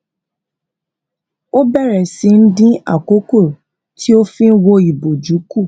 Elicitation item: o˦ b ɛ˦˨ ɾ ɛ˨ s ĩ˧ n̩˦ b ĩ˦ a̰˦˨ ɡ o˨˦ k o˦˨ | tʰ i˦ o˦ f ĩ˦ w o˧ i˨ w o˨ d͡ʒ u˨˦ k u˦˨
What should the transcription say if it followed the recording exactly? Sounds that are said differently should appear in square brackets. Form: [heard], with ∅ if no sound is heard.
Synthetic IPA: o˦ b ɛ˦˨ ɾ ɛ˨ s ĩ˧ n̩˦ [d] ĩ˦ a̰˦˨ [k] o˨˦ k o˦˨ | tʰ i˦ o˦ f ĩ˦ w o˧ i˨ [b] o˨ d͡ʒ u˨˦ k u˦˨

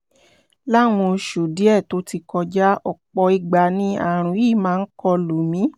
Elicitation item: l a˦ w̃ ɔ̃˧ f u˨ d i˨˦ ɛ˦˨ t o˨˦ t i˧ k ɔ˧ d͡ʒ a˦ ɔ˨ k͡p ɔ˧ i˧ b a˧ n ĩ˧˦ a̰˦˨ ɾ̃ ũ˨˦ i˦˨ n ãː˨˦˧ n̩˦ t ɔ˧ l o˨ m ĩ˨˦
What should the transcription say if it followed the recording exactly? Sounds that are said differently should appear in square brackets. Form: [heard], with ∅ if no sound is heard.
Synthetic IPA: l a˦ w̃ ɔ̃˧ [ʃ] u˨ d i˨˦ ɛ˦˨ t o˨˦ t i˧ k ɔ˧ d͡ʒ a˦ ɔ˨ k͡p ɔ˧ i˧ [ɡ͡b] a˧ n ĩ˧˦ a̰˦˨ ɾ̃ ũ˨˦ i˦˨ [m] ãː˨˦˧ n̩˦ [k] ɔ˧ l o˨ m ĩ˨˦

